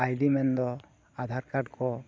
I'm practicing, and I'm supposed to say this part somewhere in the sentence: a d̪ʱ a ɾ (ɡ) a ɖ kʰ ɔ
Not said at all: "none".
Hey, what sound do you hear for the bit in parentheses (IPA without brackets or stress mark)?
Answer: k